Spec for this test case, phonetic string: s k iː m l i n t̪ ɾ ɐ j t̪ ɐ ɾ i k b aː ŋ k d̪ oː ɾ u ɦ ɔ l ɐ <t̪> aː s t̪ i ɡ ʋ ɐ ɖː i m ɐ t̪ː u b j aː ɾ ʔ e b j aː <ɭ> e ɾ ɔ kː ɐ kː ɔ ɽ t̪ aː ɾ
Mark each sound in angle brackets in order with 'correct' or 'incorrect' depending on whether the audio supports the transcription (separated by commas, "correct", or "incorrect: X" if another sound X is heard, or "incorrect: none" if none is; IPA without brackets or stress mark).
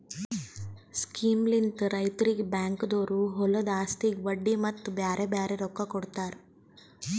incorrect: d̪, incorrect: ɾ